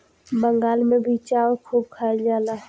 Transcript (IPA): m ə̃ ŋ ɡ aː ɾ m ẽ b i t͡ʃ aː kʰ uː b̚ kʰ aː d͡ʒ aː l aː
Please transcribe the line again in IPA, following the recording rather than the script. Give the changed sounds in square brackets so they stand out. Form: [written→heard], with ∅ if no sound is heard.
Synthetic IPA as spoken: [m→b] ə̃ ŋ ɡ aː [ɾ→l] m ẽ b i t͡ʃ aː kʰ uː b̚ kʰ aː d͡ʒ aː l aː